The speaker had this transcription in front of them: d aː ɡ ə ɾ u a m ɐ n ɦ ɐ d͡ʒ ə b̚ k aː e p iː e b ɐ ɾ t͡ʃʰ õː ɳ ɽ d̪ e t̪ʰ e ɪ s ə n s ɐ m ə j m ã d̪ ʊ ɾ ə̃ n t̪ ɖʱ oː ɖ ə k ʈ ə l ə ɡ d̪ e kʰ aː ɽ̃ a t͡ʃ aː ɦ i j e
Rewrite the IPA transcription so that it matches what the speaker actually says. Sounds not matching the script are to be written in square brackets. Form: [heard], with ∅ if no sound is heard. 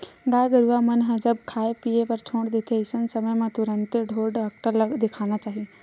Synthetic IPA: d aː ɡ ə ɾ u a m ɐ n ɦ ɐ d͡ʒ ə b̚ [kʰ] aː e p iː e [p] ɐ ɾ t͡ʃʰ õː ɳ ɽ d̪ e t̪ʰ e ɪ s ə n s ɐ m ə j m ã [t̪] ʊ ɾ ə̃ n t̪ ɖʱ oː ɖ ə k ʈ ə l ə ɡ d̪ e kʰ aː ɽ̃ a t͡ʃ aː ɦ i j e